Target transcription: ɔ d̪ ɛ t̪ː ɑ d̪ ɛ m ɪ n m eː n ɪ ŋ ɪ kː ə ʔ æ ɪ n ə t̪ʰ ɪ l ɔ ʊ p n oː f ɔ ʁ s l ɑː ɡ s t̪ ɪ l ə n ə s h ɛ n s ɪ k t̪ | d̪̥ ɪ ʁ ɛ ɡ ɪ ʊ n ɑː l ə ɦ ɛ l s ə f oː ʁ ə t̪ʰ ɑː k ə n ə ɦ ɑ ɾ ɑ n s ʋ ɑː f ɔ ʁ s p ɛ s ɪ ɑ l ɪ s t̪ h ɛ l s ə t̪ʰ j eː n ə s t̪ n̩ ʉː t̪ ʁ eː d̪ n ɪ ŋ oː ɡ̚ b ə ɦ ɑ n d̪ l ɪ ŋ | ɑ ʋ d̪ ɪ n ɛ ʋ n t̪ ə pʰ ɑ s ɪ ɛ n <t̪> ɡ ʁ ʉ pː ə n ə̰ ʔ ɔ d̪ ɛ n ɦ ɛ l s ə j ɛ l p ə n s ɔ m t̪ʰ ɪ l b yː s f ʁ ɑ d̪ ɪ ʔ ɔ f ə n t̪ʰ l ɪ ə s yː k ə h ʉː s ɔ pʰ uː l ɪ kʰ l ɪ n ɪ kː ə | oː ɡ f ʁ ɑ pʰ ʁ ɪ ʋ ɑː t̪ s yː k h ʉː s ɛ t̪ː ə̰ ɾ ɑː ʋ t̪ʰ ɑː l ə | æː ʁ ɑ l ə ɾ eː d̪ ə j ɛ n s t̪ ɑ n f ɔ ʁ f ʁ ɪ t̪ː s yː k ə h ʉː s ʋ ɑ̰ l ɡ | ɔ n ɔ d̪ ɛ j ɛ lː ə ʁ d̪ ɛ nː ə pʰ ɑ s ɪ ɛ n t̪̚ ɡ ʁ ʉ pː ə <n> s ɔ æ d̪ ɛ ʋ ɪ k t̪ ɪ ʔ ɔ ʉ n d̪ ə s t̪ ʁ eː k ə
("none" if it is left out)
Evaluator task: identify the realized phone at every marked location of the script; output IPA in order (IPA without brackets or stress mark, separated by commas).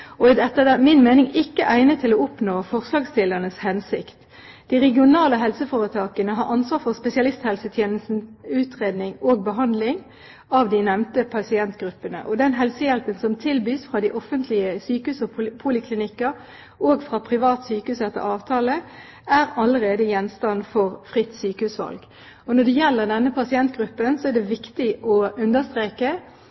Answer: t̪, n